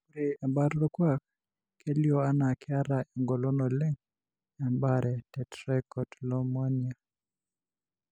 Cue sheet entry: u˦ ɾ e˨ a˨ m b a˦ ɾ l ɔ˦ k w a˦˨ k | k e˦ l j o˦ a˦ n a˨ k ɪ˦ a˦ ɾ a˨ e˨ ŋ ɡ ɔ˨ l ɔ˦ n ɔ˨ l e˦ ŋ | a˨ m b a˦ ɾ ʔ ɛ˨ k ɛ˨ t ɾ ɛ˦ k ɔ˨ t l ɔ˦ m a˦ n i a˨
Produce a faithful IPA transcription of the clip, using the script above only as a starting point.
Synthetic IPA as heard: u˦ ɾ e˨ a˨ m b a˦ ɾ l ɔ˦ k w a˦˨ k | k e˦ l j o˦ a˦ n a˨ k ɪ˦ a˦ ɾ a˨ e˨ ŋ ɡ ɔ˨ l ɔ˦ n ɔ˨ l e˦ ŋ | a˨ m b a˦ ɾ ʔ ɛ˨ t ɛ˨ t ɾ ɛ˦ k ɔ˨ t l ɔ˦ m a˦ n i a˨